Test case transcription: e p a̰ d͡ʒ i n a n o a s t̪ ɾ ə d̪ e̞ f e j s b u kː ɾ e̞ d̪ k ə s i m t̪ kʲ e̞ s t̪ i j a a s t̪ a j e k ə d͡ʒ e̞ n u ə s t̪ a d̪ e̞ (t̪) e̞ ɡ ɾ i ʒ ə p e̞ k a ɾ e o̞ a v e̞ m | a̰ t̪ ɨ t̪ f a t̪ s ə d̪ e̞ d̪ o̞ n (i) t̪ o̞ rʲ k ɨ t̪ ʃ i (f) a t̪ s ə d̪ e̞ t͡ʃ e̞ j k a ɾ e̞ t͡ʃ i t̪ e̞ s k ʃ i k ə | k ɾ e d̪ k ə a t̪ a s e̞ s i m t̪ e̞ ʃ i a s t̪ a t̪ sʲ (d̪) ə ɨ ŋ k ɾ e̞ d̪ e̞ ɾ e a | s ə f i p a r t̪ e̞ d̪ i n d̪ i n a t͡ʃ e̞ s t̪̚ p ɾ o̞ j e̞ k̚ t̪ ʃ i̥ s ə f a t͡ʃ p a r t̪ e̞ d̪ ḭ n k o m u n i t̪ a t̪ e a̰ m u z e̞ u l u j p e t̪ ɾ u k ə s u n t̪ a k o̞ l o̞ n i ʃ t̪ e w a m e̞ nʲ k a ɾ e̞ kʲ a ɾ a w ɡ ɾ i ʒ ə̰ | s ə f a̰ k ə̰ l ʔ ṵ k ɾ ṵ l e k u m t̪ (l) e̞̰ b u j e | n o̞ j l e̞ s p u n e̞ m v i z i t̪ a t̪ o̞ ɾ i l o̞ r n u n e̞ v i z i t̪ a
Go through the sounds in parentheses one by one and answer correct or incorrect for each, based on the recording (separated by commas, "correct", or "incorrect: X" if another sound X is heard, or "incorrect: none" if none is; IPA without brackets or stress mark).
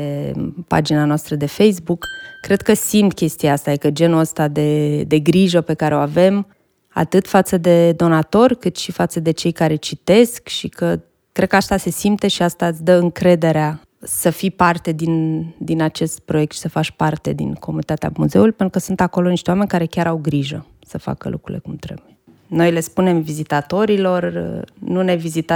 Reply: incorrect: d̪, incorrect: a, correct, correct, incorrect: ɾ